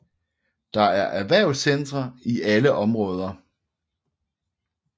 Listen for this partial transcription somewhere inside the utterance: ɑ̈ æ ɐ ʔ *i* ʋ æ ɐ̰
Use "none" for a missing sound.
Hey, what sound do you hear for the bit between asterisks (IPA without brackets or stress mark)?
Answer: æ